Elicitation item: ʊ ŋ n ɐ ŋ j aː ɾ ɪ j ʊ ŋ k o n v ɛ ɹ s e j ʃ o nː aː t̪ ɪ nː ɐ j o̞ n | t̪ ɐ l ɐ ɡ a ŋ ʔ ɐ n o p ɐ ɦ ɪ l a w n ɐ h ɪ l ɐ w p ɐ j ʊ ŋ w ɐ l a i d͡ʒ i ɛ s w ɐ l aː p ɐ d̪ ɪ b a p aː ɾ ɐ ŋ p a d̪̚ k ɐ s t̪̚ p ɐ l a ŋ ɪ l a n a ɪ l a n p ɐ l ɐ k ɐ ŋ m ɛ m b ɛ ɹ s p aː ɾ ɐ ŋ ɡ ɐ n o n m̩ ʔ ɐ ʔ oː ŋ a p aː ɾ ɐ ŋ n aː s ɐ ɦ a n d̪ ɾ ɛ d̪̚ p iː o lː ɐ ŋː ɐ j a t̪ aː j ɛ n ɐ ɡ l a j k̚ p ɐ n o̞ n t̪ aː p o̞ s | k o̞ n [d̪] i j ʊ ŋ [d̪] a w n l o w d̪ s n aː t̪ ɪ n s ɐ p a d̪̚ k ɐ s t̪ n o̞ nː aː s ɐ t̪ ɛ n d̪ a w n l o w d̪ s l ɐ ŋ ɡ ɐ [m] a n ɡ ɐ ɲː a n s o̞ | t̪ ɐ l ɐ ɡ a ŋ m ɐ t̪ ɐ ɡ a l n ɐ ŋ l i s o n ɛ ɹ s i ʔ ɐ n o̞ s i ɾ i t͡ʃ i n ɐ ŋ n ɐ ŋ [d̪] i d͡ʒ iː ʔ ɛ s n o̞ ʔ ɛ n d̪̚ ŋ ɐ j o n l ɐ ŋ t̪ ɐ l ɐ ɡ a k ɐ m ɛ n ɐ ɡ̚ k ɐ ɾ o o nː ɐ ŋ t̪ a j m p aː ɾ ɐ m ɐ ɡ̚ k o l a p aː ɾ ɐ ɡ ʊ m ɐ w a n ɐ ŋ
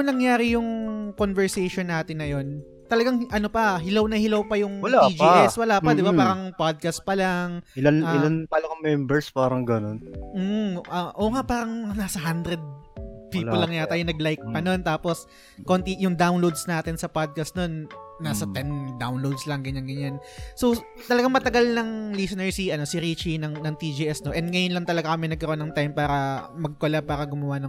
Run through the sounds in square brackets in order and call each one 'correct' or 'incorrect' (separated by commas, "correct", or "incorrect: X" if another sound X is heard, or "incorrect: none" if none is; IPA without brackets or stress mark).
incorrect: t̪, correct, incorrect: ɲ, incorrect: t̪